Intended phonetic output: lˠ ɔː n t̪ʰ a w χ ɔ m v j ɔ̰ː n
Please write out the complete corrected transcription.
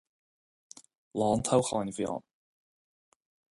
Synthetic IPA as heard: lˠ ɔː n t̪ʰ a w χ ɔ n v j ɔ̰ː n

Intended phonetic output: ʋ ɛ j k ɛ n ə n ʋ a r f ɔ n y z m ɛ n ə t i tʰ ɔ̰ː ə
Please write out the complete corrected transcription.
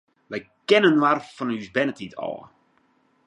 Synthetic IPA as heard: ʋ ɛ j k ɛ n ə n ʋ a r f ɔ n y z b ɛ n ə t i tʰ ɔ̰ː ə

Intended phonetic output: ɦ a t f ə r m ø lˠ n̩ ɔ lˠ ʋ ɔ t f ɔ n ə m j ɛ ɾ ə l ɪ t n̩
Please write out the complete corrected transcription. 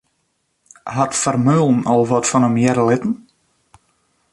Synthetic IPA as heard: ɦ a t f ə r m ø lˠ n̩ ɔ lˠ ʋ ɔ t f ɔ n ə m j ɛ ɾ ə l ɪ t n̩

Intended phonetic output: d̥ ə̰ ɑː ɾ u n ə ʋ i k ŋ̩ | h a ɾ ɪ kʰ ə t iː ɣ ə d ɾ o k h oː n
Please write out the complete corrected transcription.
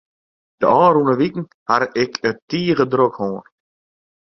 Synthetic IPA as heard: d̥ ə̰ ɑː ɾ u n ə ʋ i k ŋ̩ | h a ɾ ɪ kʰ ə t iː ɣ ə d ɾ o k h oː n

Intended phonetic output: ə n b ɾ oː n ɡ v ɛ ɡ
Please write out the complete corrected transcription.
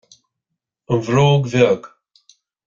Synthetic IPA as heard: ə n v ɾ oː ɡ v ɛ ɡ

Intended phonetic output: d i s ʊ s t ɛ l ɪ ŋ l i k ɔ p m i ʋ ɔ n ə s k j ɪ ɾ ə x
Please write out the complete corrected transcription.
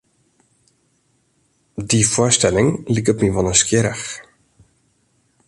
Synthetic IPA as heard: d i f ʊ s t ɛ l ɪ ŋ l i k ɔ p m i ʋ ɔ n ə s k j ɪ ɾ ə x

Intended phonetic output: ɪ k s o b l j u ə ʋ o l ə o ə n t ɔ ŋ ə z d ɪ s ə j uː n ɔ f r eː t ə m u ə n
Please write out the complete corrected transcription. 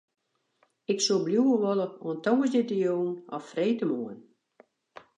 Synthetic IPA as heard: ɪ k s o b l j u ə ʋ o l ə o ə n t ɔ ŋ ə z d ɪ t ə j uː n ɔ f r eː t ə m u ə n

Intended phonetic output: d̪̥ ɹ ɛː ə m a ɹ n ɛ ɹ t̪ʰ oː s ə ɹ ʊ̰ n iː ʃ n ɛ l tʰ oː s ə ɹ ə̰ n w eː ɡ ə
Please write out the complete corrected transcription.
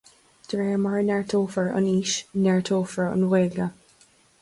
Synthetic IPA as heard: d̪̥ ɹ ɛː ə m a ɹ n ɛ ɹ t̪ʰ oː f ə ɹ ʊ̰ n iː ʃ n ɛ ɹ tʰ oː f ə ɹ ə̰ n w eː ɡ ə

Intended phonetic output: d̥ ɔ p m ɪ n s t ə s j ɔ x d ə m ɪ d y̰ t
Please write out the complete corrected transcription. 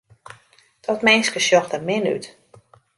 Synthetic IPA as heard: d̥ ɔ t m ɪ n s k ə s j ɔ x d ə m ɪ n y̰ t

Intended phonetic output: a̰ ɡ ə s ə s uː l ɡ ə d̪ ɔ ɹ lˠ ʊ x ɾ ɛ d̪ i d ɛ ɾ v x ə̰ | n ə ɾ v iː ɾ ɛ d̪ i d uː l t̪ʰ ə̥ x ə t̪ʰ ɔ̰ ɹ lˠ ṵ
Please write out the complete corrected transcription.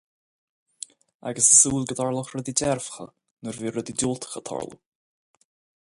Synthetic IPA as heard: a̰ ɡ ə s ə s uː l ɡ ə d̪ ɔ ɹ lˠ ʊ x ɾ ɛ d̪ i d ɛ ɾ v x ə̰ | n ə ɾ v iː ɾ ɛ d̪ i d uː l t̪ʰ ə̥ x ə t̪ʰ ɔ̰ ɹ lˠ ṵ

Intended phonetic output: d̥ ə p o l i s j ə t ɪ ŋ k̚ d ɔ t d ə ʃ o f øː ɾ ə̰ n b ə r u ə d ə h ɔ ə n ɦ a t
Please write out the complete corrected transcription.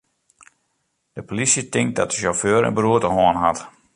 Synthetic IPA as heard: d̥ ə p o l i s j ə t ɪ ŋ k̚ d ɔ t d ə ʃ o f øː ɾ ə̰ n b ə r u ə t ə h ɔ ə n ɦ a t

